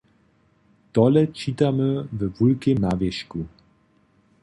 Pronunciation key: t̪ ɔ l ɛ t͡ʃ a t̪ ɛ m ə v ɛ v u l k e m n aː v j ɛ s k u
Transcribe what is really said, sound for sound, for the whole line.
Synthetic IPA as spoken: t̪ ɔ l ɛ t͡ʃ i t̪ a m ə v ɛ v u l k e m n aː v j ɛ ʃ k u